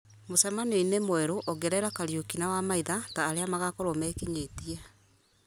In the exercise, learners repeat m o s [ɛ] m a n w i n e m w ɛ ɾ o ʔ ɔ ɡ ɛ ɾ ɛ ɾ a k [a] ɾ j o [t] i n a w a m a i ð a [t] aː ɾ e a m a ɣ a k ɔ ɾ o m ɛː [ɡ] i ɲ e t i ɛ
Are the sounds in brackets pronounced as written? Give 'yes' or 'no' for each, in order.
yes, yes, no, yes, no

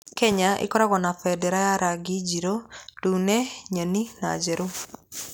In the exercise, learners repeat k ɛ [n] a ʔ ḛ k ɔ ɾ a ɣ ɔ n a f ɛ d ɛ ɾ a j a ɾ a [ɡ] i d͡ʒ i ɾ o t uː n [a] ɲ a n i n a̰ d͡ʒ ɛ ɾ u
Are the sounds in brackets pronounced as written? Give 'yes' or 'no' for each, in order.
no, yes, no

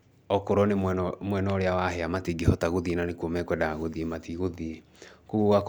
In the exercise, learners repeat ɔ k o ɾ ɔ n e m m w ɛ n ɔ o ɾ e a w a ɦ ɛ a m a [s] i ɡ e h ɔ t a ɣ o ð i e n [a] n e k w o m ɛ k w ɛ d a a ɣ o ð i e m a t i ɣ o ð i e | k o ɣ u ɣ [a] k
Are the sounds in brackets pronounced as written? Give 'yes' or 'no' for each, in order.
no, yes, yes

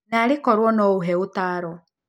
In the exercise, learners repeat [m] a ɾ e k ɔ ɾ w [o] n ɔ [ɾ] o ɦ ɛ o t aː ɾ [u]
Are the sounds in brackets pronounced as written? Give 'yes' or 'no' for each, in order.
no, no, no, no

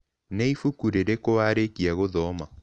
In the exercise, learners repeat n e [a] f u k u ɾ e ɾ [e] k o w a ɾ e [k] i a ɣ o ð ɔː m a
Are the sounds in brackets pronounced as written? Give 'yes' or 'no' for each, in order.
no, yes, yes

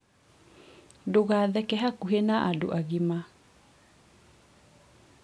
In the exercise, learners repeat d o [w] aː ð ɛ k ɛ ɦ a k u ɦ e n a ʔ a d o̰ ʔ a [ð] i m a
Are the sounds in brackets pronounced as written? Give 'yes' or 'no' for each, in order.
no, no

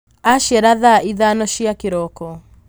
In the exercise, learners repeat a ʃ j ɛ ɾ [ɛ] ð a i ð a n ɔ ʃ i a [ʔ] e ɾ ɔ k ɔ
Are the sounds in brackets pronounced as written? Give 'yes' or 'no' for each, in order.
no, no

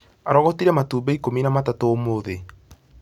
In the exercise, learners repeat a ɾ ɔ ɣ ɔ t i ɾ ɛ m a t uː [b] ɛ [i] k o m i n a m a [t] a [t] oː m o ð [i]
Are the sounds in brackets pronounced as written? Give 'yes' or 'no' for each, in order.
yes, yes, yes, yes, no

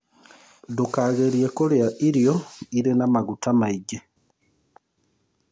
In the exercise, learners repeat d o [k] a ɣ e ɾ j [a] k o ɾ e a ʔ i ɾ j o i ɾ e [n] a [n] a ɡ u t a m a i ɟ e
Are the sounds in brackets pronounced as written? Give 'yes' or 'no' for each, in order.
yes, no, yes, no

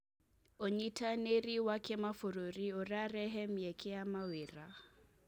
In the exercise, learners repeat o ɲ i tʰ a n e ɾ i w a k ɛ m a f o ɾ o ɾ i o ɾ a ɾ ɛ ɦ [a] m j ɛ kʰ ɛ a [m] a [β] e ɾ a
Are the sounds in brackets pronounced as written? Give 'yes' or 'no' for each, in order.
no, yes, no

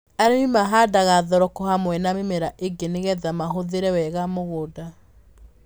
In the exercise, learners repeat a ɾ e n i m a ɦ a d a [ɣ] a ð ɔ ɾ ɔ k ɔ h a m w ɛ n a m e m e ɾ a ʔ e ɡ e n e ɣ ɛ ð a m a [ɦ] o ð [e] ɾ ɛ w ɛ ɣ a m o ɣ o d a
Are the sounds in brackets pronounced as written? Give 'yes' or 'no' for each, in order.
yes, yes, yes

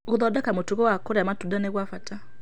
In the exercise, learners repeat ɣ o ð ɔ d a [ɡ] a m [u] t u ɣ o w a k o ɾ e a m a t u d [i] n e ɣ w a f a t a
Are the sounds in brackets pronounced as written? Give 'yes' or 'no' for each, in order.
no, no, no

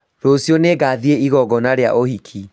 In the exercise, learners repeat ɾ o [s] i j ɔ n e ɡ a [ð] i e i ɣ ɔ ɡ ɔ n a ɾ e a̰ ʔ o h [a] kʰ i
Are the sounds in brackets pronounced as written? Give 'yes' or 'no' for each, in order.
yes, yes, no

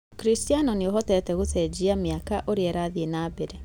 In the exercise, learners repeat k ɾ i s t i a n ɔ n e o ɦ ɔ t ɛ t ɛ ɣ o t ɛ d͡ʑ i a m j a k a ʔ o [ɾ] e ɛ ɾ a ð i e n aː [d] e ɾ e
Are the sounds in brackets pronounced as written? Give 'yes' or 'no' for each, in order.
yes, no

